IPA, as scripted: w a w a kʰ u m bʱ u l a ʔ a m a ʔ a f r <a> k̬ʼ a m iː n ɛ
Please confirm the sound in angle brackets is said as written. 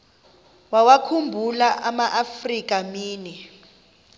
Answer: no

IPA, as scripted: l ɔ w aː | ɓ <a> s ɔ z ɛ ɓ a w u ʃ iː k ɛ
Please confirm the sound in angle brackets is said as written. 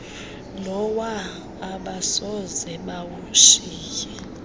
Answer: yes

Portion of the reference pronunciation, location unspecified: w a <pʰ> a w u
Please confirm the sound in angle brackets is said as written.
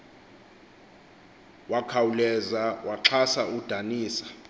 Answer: no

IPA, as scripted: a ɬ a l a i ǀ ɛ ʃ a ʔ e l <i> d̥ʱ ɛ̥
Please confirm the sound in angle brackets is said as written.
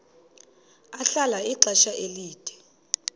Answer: no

